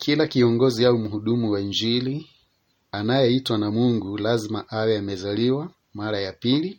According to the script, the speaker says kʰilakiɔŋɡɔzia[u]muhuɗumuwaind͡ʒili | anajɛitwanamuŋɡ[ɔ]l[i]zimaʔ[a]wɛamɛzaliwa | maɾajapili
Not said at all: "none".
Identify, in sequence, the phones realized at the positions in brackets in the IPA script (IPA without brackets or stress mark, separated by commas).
u, u, a, a